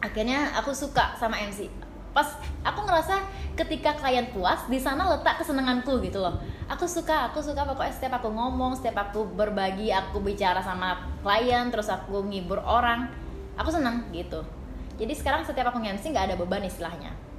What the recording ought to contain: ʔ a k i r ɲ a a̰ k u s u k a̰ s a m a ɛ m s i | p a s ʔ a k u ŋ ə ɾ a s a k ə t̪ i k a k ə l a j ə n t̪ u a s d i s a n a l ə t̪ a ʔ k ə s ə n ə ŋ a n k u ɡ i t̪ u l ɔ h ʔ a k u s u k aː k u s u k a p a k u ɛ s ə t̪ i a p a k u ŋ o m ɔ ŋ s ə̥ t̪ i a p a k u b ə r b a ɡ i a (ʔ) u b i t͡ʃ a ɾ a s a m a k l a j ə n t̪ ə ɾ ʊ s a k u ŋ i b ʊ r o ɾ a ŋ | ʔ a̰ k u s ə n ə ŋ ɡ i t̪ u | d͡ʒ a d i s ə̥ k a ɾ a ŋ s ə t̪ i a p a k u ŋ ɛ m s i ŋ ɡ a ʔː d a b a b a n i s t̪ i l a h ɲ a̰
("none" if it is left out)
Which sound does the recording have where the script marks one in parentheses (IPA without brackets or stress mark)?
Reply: k